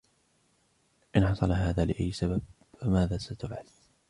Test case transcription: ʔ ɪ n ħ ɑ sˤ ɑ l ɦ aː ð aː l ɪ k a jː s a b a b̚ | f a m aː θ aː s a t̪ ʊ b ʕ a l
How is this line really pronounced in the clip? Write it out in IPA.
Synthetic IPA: ʔ ɪ n ħ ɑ sˤ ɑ l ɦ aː ð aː l ɪ ʔ a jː s a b a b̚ | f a m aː ð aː s a t̪ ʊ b ʕ a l